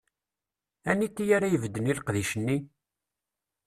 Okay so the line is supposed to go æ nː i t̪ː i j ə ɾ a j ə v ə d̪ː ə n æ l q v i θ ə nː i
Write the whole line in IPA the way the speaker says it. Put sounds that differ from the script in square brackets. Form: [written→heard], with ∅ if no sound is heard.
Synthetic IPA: æ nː i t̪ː i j [ə→a] ɾ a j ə v ə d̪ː ə n [æ→i] l q [v→ð] i [θ→ʃ] ə nː i